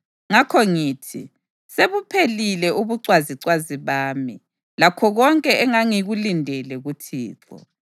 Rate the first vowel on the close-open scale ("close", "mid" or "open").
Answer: open